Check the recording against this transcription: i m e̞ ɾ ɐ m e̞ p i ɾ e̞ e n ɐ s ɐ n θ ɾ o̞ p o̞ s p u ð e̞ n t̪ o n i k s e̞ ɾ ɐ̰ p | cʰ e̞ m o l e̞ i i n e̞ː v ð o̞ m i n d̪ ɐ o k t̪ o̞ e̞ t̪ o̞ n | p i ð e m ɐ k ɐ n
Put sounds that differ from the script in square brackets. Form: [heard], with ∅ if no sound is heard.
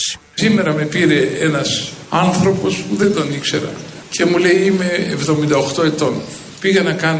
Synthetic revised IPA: i m e̞ ɾ ɐ m e̞ p i ɾ e̞ e n ɐ s ɐ n θ ɾ o̞ p o̞ s p u ð e̞ n [d̪] o n i k s e̞ ɾ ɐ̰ [∅] | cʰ e̞ m [u] l e̞ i i [m] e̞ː v ð o̞ m i n d̪ ɐ o [x] t̪ o̞ e̞ t̪ o̞ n | p i [ɣ] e [n] ɐ k ɐ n